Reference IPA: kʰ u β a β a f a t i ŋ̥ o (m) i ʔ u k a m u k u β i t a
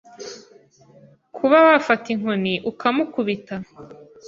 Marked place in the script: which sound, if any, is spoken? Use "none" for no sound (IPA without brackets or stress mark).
n